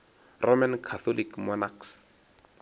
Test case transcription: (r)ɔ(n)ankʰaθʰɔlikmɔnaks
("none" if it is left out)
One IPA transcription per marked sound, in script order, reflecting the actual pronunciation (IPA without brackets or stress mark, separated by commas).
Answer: r, m